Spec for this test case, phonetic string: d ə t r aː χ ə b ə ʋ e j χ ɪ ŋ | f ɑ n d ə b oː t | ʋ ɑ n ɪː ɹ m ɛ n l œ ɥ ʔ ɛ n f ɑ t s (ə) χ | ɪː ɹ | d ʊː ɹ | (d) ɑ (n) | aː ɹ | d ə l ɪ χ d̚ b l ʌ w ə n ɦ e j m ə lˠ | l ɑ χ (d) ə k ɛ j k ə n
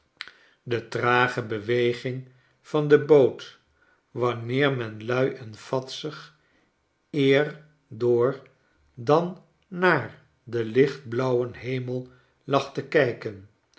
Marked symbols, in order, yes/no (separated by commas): yes, yes, no, no